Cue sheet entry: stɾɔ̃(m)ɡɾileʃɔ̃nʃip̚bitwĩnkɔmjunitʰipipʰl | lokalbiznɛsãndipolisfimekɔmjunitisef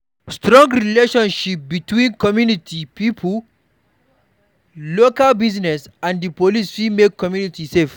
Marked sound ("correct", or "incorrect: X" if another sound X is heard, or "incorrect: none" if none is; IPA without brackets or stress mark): incorrect: ŋ